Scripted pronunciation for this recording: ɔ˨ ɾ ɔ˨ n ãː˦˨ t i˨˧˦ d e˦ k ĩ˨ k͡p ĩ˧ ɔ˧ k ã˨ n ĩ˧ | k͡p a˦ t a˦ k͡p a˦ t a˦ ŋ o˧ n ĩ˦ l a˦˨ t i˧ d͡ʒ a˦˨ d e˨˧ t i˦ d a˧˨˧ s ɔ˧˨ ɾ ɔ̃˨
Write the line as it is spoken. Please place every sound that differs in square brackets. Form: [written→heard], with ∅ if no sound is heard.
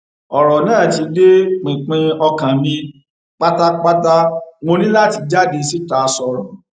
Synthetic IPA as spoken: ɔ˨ ɾ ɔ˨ n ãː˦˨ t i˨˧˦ d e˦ [k→k͡p] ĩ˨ k͡p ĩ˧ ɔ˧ k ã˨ [n→m] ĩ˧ | k͡p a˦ t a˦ k͡p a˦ t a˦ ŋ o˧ n ĩ˦ l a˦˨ t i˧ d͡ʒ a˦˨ d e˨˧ [t→s] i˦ [d→t] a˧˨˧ s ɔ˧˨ ɾ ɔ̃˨

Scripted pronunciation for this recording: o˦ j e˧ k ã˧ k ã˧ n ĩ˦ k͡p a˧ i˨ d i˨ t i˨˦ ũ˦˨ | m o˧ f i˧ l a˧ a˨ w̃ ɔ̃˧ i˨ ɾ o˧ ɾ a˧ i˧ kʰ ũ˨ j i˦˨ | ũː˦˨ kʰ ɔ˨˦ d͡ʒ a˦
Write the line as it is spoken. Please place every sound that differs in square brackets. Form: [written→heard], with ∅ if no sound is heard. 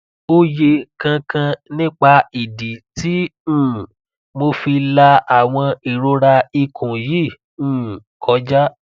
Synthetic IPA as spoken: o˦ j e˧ k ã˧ k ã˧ n ĩ˦ k͡p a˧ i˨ d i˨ t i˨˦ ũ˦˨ | m o˧ f i˧ l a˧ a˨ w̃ ɔ̃˧ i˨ ɾ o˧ ɾ a˧ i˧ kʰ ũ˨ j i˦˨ | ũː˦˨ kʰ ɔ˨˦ d͡ʒ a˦

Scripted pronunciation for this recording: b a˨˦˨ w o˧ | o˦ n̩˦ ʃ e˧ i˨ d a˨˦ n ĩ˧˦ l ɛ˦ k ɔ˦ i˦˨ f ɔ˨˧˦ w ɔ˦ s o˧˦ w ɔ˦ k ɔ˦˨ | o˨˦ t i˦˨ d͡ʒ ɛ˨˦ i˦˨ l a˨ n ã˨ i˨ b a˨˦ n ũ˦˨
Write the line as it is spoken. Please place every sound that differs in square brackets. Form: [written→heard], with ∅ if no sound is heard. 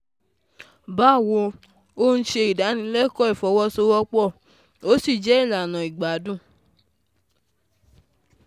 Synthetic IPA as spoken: b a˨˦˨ w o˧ | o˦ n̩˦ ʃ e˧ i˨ d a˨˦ n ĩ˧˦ l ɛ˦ k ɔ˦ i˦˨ f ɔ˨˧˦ w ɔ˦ s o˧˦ w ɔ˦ [k→k͡p] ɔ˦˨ | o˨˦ [t→s] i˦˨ d͡ʒ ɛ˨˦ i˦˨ l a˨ n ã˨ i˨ [b→ɡ͡b] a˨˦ [n→d] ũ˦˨

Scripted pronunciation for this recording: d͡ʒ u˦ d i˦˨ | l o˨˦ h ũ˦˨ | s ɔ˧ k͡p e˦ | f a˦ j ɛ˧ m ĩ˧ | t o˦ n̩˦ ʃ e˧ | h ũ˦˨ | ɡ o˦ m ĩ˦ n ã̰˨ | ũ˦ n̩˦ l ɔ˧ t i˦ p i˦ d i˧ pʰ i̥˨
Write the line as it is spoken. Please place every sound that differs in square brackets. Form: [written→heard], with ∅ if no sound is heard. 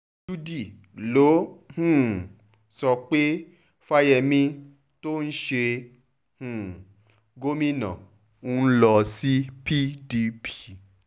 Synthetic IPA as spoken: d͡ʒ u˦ d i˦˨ | l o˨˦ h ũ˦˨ | s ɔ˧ k͡p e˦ | f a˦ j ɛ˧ m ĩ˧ | t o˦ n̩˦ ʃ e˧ | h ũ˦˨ | ɡ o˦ m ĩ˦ n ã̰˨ | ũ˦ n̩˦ l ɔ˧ [t→s] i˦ p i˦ d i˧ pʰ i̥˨

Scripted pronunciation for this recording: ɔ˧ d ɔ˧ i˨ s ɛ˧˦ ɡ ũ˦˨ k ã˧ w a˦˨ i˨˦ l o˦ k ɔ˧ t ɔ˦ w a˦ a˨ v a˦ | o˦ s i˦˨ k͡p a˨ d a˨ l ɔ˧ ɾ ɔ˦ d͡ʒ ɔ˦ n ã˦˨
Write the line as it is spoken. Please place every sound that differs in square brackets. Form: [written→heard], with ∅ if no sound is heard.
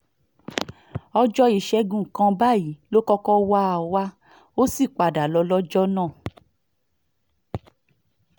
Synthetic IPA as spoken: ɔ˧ [d→d͡ʒ] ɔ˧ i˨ [s→ʃ] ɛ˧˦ ɡ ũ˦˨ k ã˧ [w→b] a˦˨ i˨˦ l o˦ k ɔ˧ [t→k] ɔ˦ w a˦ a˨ [v→w] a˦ | o˦ s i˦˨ k͡p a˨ d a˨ l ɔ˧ [ɾ→l] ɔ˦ d͡ʒ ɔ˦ n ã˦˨

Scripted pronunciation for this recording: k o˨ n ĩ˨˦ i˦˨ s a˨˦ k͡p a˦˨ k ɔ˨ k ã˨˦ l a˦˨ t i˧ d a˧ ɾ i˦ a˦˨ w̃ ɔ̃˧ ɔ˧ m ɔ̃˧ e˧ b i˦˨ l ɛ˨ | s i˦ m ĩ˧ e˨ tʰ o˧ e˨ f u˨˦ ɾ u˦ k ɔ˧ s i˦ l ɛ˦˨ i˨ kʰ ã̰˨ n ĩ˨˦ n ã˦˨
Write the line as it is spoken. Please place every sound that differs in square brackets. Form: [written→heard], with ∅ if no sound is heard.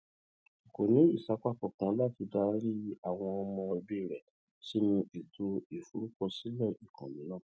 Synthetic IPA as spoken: k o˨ n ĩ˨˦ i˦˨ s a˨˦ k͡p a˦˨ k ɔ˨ k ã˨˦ l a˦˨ t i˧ d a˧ ɾ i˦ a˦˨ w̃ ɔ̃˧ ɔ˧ m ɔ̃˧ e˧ b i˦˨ [l→ɾ] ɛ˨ | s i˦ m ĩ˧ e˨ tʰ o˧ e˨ f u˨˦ ɾ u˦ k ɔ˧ s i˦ l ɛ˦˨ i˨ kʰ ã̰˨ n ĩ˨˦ n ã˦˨

